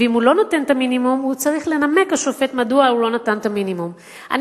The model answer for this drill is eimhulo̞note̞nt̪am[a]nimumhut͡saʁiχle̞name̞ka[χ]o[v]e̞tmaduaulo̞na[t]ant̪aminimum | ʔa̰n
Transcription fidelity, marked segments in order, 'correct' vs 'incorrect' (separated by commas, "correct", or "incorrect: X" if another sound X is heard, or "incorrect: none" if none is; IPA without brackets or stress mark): incorrect: i, incorrect: ʃ, incorrect: f, correct